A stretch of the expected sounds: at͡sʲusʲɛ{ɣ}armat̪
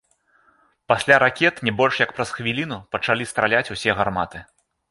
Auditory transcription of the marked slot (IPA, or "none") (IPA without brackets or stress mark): ɣ